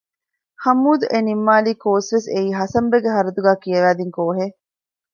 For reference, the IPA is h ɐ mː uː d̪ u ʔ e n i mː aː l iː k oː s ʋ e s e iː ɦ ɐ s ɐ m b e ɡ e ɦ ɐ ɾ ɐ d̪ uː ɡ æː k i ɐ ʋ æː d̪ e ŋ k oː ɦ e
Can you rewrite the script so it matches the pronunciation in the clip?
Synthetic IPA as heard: h ɐ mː uː d̪ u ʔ e n i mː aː l iː k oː s ʋ e s e iː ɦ ɐ s ɐ m b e ɡ e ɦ ɐ ɾ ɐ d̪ u ɡ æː k i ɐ ʋ æː d̪ i ŋ k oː ɦ e